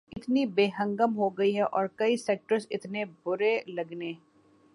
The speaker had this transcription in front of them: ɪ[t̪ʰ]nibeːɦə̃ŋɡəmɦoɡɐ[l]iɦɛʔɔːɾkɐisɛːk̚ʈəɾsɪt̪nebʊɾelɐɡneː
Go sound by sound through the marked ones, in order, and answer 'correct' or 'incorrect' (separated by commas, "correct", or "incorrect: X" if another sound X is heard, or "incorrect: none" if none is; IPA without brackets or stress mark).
incorrect: t̪, incorrect: none